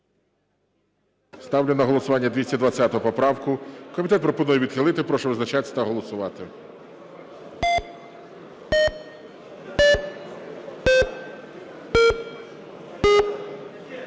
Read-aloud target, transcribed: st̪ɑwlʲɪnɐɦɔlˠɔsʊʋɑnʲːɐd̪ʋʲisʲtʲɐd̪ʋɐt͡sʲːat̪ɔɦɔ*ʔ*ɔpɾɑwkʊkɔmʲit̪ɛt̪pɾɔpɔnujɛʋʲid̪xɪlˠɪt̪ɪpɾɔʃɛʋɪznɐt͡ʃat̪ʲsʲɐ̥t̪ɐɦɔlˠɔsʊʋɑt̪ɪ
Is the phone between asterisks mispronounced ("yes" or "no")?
yes